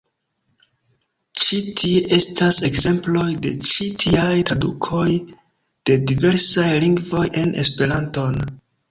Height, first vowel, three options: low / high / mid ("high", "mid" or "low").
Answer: high